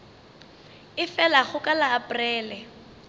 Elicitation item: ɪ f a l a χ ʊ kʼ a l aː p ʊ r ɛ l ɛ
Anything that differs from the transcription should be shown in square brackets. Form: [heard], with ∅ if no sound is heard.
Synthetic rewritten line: ɪ f [ɛ] l a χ ʊ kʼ a l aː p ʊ r [ɛː] l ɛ